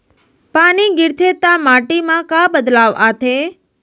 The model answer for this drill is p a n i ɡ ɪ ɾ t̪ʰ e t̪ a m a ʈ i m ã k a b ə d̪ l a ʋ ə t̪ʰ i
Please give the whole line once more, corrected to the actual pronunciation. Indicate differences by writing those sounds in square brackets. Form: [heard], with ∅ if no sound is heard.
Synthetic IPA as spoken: p a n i ɡ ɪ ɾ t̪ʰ e t̪ a m a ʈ i m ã k a b ə d̪ l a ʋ [a] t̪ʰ [e]

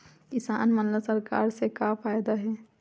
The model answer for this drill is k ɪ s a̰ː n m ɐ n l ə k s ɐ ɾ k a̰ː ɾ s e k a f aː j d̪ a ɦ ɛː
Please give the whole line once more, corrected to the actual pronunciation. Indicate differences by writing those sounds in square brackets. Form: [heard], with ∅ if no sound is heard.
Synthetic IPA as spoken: k ɪ s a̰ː n m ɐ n l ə [∅] s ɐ ɾ k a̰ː ɾ s e k a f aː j d̪ a ɦ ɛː

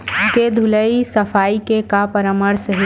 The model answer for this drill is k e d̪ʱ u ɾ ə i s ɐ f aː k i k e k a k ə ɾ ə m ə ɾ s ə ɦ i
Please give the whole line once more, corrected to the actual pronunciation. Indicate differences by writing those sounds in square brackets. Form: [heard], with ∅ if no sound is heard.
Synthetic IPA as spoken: k e d̪ʱ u [l] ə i s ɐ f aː [∅] i k e k a [p] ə ɾ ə m ə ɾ s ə ɦ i

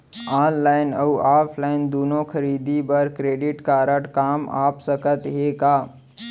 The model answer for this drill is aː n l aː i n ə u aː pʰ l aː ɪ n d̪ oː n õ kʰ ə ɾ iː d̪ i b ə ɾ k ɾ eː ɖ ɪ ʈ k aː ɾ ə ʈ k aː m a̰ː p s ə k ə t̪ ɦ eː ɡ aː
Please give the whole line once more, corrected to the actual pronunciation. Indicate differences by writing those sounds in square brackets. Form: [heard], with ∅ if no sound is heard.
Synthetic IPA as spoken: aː n l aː [ɪ] n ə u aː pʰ l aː ɪ n d̪ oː n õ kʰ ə ɾ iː d̪ i b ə ɾ k ɾ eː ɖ ɪ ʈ k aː ɾ ə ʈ k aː m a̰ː p s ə k ə t̪ ɦ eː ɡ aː

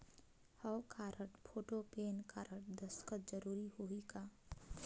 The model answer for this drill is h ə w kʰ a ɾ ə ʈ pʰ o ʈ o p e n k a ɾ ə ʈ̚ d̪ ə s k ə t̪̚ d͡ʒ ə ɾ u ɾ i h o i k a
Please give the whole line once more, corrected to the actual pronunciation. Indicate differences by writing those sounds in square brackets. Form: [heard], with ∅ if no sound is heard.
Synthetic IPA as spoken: h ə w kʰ a ɾ ə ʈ pʰ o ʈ o p e n k a ɾ ə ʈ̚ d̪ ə s k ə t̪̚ d͡ʒ ə ɾ u ɾ i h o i k a

